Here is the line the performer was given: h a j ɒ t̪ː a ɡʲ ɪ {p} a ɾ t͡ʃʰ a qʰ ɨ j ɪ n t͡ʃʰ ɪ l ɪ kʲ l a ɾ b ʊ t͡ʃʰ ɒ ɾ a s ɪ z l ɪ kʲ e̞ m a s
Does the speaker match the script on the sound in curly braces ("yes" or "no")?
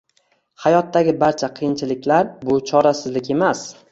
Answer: no